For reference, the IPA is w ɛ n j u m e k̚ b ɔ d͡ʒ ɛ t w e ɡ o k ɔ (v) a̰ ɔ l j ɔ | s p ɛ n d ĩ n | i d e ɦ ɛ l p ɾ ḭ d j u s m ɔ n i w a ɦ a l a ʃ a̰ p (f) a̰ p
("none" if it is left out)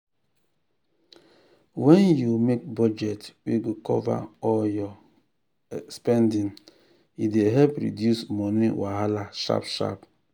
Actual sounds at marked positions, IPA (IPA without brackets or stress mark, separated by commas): v, ʃ